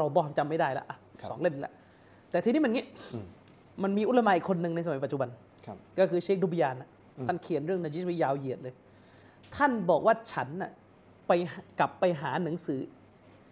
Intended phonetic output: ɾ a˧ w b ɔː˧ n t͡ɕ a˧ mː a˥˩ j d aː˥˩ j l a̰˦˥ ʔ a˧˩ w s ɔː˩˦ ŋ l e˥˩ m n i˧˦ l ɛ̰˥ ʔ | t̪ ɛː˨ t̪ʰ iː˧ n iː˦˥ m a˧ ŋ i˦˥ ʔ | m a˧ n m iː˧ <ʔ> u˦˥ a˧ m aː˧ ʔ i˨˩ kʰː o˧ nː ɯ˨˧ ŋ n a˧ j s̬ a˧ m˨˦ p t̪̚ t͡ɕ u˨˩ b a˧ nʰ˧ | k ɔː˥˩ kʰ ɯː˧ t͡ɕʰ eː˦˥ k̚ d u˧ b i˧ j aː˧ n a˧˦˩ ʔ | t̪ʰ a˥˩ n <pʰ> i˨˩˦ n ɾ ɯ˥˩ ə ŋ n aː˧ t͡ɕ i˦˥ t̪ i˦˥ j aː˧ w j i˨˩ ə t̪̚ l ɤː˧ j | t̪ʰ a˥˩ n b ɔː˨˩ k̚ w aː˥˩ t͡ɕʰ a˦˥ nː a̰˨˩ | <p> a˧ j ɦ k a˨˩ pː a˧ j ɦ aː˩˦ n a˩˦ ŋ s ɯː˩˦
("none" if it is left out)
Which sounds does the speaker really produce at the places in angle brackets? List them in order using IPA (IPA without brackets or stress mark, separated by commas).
ʔ, kʰ, p